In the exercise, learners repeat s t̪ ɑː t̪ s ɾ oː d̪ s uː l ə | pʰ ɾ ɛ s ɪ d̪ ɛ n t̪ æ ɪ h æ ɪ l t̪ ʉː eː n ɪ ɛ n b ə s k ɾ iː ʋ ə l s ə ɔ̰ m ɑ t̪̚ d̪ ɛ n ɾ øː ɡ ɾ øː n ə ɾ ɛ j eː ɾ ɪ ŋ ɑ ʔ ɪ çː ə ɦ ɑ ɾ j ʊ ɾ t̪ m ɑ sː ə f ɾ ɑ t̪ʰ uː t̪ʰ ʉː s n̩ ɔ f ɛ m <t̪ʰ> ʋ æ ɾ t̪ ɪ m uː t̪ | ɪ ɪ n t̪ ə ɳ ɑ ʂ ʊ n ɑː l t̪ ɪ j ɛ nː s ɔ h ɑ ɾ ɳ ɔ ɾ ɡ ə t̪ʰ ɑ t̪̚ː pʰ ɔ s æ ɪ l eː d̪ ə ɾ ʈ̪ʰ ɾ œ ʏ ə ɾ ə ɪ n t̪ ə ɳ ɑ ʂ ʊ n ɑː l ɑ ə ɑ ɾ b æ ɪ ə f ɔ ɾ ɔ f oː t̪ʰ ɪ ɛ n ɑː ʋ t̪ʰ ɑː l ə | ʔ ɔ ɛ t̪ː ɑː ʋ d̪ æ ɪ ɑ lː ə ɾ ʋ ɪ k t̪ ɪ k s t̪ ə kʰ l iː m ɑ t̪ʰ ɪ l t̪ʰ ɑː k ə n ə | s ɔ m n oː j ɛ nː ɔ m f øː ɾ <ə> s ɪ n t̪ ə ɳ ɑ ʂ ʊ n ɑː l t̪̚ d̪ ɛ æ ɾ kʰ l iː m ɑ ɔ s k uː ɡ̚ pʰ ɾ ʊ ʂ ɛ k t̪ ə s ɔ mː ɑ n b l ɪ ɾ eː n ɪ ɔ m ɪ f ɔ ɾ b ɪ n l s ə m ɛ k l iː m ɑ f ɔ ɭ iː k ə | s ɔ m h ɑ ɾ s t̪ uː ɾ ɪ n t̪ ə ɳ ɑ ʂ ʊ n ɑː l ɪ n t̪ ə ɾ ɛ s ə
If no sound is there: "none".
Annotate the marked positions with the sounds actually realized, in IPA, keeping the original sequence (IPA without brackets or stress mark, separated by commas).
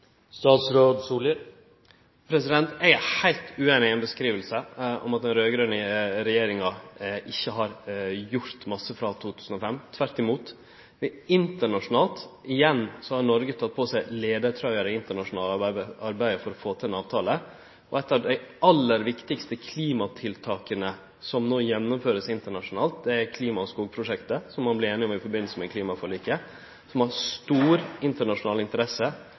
t̪ʰ, ə